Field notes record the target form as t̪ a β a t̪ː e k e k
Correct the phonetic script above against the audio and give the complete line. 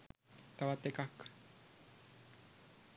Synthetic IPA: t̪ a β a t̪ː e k a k